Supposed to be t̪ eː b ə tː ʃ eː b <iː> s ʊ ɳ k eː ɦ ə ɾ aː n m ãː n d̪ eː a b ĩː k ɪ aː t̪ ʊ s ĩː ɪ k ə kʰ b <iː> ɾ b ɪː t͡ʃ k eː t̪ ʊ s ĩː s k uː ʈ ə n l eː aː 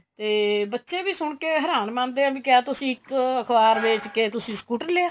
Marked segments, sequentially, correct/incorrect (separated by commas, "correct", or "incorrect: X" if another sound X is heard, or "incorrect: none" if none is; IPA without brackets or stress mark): correct, incorrect: aː